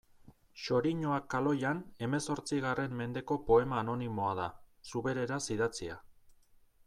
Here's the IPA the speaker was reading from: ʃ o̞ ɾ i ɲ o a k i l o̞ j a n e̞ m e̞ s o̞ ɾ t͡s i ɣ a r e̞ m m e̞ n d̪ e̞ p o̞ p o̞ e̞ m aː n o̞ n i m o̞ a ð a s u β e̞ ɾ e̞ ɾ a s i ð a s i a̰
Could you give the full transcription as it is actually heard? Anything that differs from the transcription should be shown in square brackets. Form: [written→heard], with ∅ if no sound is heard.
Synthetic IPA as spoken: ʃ o̞ ɾ i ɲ o a k [i→a] l o̞ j a n e̞ m e̞ s o̞ ɾ t͡s i ɣ a r e̞ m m e̞ n d̪ e̞ [p→k] o̞ p o̞ e̞ m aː n o̞ n i m o̞ a ð a s u β e̞ ɾ e̞ ɾ a s i ð a [s→t͡s] i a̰